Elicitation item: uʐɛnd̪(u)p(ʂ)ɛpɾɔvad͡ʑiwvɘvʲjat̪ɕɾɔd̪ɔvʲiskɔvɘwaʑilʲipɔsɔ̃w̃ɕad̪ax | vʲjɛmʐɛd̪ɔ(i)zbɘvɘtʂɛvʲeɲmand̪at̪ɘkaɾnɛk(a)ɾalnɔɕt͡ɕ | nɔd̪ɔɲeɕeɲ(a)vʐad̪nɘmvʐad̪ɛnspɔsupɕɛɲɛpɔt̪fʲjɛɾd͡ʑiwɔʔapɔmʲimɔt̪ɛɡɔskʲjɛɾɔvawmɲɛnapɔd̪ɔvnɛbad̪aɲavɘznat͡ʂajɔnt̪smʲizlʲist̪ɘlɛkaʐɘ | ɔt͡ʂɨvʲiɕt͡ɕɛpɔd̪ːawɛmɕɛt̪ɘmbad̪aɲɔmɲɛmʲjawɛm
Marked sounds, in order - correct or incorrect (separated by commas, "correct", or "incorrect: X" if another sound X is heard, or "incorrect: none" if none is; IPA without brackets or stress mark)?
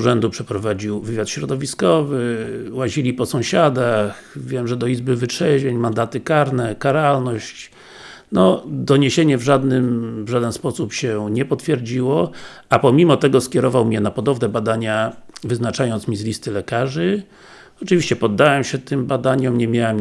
correct, correct, correct, correct, incorrect: ɛ